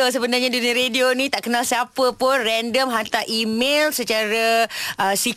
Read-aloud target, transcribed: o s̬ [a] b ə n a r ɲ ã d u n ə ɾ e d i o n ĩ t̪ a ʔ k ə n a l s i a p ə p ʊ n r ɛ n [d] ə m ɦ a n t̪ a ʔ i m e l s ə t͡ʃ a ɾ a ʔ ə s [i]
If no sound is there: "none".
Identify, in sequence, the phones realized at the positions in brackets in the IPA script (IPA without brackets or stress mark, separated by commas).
ə, d, i